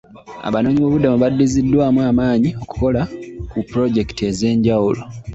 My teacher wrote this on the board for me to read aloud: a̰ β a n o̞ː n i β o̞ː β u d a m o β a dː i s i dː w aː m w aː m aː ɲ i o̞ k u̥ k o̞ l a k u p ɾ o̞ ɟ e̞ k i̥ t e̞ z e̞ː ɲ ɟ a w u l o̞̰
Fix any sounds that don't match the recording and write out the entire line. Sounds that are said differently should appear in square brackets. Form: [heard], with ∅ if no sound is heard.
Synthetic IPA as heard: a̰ β a n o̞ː [ɲ] i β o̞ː β u d a m [u] β a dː i [z] i dː w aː m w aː m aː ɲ i o̞ k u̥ k o̞ l a k u p ɾ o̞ ɟ e̞ k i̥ t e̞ z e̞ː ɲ ɟ a w u l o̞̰